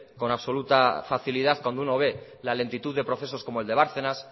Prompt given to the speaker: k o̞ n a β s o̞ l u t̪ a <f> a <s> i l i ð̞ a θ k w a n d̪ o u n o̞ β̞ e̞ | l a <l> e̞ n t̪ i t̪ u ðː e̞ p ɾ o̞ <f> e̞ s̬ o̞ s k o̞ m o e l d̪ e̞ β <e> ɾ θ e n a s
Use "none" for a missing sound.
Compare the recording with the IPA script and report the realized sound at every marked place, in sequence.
f, θ, l, θ, a

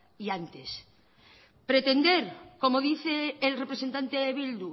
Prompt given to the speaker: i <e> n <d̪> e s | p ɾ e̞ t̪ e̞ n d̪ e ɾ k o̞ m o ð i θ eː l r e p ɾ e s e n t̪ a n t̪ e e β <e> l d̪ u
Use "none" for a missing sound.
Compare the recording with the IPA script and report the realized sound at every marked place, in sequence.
a, t̪, i

